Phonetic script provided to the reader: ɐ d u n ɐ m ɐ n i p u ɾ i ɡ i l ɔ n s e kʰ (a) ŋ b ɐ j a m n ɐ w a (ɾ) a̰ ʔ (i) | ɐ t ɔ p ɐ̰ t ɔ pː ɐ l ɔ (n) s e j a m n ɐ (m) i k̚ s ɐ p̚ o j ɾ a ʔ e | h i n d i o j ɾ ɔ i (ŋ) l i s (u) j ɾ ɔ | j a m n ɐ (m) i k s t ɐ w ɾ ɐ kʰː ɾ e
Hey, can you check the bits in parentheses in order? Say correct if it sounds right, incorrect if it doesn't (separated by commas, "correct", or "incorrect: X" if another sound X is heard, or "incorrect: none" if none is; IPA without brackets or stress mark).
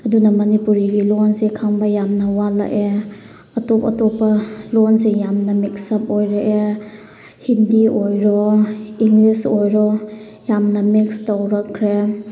correct, incorrect: l, incorrect: e, correct, correct, correct, incorrect: o, correct